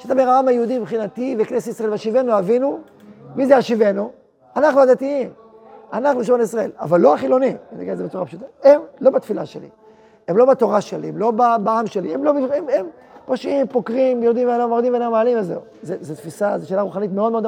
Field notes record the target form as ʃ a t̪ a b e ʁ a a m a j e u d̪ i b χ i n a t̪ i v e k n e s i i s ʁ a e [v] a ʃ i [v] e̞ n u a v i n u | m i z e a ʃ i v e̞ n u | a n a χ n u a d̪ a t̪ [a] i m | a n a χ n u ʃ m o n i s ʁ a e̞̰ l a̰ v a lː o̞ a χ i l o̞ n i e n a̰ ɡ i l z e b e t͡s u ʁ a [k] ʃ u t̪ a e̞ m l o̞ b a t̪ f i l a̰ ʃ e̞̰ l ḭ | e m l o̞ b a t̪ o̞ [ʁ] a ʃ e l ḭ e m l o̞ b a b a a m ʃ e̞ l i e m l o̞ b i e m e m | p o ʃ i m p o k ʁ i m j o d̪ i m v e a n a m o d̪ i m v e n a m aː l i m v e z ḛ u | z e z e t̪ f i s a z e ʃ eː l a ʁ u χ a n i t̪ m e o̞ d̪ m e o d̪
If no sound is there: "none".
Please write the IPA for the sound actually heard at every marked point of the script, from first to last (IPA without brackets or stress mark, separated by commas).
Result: v, v, i, p, ʁ